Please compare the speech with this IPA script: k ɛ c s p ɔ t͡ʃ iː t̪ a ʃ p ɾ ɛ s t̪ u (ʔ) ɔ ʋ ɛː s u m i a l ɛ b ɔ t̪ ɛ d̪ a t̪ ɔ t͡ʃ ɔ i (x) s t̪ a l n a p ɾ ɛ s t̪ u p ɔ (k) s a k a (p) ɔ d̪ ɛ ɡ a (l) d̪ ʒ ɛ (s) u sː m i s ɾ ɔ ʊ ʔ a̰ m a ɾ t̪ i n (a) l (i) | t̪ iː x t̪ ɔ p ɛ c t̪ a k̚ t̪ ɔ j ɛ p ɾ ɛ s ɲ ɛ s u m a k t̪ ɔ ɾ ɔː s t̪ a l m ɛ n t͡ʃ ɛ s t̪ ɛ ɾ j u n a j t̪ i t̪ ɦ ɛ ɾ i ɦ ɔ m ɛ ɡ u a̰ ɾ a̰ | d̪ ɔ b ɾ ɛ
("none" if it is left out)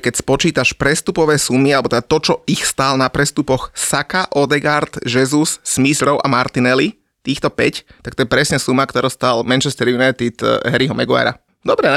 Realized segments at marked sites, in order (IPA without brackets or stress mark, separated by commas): p, x, x, ʔ, ɾ, z, ɛ, i